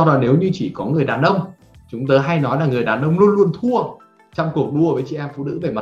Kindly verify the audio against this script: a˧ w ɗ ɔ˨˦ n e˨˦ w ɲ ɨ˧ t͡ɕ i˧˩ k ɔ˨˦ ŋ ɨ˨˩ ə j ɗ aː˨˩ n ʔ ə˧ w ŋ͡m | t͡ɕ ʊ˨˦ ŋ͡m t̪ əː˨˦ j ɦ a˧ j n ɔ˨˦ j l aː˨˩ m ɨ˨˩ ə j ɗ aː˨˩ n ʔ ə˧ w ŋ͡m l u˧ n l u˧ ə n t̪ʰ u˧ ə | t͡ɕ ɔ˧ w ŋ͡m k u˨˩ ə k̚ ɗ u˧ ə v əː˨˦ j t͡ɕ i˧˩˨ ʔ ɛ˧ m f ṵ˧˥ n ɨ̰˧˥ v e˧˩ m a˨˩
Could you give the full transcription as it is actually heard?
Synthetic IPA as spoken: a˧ w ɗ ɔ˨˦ n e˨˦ w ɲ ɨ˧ t͡ɕ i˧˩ k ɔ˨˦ ŋ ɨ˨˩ ə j ɗ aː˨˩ n ʔ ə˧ w ŋ͡m | t͡ɕ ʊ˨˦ ŋ͡m t̪ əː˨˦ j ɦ a˧ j n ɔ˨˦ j l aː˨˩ ŋ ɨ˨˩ ə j ɗ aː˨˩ n ʔ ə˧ w ŋ͡m l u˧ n l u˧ ə n t̪ʰ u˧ ə | t͡ɕ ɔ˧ w ŋ͡m k u˨˩ ə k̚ ɗ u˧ ə v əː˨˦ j t͡ɕ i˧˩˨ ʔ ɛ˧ m f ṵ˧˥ n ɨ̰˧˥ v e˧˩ m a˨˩